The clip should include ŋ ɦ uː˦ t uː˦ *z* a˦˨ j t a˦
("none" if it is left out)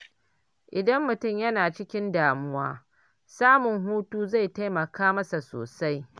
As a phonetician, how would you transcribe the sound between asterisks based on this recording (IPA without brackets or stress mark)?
z